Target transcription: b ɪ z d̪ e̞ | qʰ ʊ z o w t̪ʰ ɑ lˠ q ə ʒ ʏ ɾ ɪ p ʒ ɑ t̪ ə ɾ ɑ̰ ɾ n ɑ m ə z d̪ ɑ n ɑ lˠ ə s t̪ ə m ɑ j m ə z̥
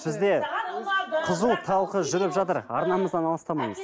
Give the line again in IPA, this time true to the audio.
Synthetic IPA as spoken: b ɪ z d̪ e̞ | qʰ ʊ z u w t̪ʰ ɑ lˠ q ə ʒ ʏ ɾ ɪ p ʒ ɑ t̪ ə ɾ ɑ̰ ɾ n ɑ m ə z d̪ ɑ n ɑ lˠ ə s t̪ ɑ m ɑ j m ə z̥